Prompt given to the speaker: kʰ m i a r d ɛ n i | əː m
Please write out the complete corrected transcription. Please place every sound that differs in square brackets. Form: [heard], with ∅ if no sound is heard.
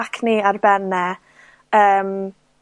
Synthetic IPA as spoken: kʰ [n] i a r [b] ɛ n [ɛ] | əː m